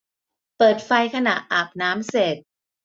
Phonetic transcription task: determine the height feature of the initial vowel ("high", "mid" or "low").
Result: mid